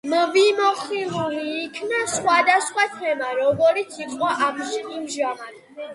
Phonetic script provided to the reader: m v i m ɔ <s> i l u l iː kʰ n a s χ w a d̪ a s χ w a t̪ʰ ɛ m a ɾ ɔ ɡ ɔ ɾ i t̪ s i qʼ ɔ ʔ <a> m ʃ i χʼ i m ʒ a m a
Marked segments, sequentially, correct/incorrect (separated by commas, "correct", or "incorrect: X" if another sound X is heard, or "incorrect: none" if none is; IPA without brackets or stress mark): incorrect: χ, correct